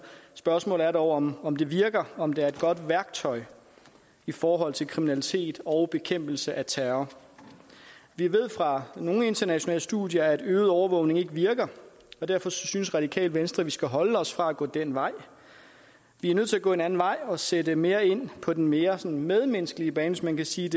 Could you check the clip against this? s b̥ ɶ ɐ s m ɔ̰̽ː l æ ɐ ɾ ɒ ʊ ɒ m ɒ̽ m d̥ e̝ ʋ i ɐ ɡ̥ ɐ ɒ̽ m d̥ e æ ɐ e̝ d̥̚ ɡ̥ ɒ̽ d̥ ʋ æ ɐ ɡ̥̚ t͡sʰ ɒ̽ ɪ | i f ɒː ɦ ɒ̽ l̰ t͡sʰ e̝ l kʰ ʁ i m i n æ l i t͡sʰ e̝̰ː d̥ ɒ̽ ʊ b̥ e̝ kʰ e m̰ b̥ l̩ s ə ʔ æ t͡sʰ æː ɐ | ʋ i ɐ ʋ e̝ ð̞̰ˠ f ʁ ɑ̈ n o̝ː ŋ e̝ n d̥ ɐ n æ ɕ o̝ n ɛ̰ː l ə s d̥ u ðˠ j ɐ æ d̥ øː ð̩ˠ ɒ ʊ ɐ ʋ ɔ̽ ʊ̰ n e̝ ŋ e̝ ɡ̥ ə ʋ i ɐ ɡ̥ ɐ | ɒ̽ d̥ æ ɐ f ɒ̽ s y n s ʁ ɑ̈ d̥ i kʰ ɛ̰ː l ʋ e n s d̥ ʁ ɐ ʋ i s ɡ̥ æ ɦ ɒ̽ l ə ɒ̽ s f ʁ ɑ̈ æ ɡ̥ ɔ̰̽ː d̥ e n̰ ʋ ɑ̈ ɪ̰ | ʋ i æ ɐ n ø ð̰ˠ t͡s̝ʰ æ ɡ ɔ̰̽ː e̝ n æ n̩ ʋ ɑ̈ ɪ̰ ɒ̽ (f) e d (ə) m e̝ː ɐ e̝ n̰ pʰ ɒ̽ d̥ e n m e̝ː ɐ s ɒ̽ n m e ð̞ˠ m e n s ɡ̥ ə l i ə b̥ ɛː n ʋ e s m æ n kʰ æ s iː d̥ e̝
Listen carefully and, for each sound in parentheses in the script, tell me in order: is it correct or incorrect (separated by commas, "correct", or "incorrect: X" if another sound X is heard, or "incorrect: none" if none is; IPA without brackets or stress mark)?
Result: incorrect: s, correct